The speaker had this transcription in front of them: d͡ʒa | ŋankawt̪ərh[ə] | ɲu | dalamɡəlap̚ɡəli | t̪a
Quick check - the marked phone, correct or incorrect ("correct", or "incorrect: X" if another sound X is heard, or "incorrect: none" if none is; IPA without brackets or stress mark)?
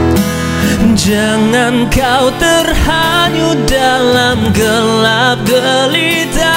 incorrect: a